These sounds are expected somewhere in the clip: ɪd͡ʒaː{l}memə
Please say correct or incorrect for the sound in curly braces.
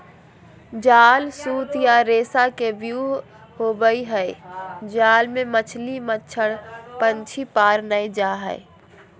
correct